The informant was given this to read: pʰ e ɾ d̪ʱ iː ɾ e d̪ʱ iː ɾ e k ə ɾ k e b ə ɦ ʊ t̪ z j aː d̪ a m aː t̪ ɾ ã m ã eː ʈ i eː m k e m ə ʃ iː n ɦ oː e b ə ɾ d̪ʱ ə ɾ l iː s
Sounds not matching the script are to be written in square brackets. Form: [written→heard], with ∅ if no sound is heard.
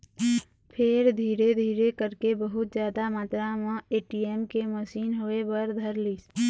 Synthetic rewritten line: pʰ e ɾ d̪ʱ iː ɾ e d̪ʱ iː ɾ e k ə ɾ k e b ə ɦ ʊ t̪ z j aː d̪ a m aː t̪ ɾ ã m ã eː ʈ i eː m k e m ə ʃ iː n ɦ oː e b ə ɾ d̪ʱ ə ɾ l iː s